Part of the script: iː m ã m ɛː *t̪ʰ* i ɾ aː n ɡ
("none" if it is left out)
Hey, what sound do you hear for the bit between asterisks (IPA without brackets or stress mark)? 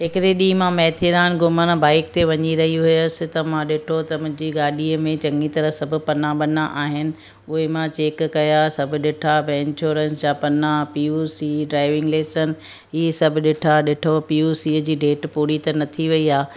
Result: t̪ʰ